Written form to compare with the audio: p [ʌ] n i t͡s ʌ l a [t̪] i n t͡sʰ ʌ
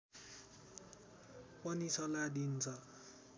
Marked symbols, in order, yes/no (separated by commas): yes, no